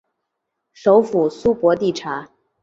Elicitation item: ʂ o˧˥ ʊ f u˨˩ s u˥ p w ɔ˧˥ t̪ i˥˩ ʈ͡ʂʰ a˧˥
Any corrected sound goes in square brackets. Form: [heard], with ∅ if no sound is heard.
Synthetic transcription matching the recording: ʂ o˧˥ ʊ f u˨˩ s u˥ p w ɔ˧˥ t̪ i˥˩ ʈ͡ʂʰ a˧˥

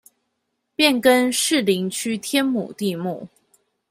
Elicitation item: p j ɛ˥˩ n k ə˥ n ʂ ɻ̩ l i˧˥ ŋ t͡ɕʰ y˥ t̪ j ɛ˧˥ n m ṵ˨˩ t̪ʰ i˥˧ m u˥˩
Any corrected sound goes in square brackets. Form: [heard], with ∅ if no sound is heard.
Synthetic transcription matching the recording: p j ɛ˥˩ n k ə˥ n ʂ ɻ̩ l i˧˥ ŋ t͡ɕʰ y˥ [t̪ʰ] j [ɛ˥] n m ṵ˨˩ [t̪] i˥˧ m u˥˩

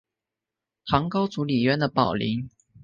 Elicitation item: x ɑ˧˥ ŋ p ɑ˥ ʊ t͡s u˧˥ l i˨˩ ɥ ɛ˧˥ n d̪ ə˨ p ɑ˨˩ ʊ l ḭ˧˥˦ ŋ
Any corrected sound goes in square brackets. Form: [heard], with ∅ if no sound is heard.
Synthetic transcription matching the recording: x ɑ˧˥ ŋ [k] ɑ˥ ʊ t͡s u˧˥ l i˨˩ ɥ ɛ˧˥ n d̪ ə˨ p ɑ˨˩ ʊ l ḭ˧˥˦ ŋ

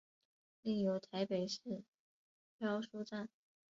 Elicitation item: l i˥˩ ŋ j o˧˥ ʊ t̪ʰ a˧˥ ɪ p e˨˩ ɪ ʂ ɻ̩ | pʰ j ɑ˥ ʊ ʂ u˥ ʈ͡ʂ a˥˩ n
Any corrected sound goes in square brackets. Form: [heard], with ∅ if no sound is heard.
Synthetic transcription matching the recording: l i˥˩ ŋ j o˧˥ ʊ t̪ʰ a˧˥ ɪ p e˨˩ ɪ ʂ ɻ̩ | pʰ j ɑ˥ ʊ ʂ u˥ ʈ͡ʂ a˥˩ n

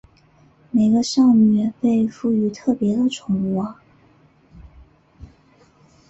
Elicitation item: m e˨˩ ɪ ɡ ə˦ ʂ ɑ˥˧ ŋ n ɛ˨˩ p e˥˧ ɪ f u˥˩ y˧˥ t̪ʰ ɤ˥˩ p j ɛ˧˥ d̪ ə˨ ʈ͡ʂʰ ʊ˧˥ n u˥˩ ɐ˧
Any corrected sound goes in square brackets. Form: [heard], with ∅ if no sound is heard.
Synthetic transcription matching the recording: m e˨˩ ɪ ɡ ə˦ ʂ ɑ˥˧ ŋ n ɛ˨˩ p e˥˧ ɪ f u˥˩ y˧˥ t̪ʰ ɤ˥˩ p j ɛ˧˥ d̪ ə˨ ʈ͡ʂʰ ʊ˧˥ [ŋ] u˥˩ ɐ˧

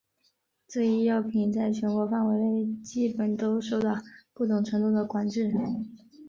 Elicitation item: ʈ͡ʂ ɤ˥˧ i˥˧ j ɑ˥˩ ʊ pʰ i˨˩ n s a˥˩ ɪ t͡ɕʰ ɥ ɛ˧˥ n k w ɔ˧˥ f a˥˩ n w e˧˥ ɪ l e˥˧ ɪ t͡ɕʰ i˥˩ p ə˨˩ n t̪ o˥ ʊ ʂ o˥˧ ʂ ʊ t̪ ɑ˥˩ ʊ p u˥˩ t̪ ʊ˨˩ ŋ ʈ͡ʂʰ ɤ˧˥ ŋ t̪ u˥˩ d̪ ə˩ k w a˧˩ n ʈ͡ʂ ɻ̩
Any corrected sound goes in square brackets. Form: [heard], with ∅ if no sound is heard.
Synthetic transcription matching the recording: ʈ͡ʂ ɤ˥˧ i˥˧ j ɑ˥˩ ʊ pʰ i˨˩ n [t͡s] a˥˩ ɪ t͡ɕʰ ɥ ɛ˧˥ n k w ɔ˧˥ f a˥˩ n w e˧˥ ɪ l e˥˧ ɪ [t͡ɕ] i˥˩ p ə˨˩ n t̪ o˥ ʊ ʂ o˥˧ [∅] ʊ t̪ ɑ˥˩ ʊ p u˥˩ t̪ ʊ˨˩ ŋ ʈ͡ʂʰ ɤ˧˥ ŋ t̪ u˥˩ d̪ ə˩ k w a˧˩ n ʈ͡ʂ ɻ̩

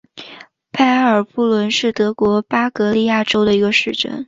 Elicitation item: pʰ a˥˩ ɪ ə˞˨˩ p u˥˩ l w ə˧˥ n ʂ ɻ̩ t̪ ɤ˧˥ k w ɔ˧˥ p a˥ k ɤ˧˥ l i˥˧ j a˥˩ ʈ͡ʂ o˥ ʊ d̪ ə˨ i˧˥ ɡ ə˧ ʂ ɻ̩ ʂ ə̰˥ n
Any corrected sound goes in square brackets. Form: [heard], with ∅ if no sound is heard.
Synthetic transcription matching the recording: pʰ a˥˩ ɪ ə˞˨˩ p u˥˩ l w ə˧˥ n ʂ ɻ̩ t̪ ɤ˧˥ k w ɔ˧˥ p a˥ k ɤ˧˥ l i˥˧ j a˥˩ ʈ͡ʂ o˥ ʊ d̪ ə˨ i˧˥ ɡ ə˧ ʂ ɻ̩ [ʈ͡ʂ] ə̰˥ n

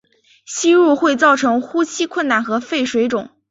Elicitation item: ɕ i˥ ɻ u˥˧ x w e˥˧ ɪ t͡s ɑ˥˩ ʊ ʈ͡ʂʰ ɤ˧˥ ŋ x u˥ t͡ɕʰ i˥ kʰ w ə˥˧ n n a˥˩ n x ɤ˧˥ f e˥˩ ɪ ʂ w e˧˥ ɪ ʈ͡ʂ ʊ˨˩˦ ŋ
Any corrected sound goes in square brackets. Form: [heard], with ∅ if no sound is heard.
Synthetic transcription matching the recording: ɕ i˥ ɻ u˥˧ x w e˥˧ ɪ t͡s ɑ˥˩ ʊ ʈ͡ʂʰ ɤ˧˥ ŋ x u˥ t͡ɕʰ i˥ kʰ w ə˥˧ n n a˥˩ n x ɤ˧˥ f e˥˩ ɪ ʂ w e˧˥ ɪ ʈ͡ʂ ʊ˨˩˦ ŋ

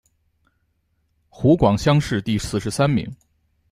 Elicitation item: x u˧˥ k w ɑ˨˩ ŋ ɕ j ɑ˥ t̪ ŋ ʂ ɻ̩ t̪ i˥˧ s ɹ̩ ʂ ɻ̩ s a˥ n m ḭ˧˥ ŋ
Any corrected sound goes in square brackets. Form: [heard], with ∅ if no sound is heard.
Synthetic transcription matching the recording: x u˧˥ k w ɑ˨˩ ŋ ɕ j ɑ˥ [∅] ŋ ʂ ɻ̩ t̪ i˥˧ s ɹ̩ ʂ ɻ̩ s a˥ n m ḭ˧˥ ŋ

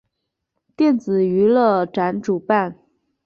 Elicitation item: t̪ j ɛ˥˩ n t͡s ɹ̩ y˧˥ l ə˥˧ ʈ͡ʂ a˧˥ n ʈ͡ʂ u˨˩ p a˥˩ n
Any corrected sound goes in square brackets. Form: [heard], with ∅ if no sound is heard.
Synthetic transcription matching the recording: t̪ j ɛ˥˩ n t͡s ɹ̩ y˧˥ l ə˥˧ ʈ͡ʂ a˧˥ n ʈ͡ʂ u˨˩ p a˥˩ n

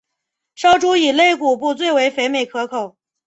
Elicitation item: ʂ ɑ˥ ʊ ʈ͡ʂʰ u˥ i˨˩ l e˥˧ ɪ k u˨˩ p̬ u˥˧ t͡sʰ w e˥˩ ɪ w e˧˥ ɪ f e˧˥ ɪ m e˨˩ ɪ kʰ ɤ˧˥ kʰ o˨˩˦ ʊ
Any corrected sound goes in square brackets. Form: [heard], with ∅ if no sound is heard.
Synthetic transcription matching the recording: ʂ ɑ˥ ʊ [ʈ͡ʂ] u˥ i˨˩ l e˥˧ ɪ k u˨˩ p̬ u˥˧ [t͡s] w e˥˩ ɪ w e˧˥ ɪ f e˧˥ ɪ m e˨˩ ɪ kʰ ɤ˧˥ kʰ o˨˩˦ ʊ

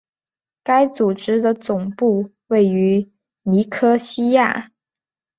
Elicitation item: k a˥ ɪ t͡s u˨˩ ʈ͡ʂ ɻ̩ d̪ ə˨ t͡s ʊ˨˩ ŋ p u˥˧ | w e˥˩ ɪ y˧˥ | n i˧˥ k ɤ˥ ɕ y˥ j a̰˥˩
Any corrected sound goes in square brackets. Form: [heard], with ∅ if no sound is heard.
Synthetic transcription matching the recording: k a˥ ɪ t͡s u˨˩ ʈ͡ʂ ɻ̩ d̪ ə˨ t͡s ʊ˨˩ ŋ p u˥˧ | w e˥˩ ɪ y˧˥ | n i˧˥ [kʰ] ɤ˥ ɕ [i˥] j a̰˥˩

